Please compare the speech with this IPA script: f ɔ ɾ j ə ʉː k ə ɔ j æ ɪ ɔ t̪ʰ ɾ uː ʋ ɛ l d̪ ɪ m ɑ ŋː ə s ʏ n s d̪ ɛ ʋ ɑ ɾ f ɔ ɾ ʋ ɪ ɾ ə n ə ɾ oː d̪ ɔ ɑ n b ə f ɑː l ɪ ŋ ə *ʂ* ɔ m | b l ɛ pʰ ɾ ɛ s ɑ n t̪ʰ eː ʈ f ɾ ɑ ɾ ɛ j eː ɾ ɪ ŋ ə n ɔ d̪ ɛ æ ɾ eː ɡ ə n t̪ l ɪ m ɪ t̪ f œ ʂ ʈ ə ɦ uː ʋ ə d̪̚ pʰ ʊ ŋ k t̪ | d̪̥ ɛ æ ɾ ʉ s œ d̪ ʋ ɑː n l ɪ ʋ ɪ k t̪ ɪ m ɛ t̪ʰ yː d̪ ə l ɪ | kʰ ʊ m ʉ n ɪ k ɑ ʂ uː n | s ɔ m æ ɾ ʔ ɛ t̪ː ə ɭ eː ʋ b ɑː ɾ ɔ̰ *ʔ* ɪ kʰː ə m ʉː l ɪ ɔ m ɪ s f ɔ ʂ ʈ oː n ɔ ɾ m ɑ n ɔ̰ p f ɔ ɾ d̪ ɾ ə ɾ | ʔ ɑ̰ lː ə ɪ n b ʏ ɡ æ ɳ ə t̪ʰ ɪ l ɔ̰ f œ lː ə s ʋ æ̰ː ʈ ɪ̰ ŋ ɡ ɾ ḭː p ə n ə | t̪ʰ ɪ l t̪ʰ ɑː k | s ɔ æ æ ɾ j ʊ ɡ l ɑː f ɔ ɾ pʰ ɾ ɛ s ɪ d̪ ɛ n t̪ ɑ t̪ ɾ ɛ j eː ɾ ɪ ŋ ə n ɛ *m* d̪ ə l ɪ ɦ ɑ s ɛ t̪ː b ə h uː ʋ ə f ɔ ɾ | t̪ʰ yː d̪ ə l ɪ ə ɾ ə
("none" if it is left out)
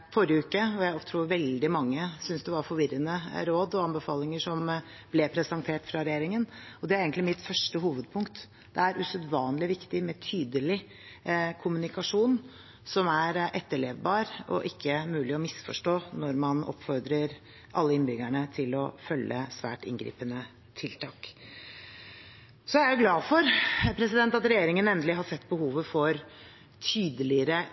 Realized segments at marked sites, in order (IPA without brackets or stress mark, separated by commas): ʂ, ʔ, n